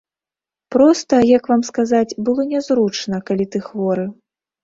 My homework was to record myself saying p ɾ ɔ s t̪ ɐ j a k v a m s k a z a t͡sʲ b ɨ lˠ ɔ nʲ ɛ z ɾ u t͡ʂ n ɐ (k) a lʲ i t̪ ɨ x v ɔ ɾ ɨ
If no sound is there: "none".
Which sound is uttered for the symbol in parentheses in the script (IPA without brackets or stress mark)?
k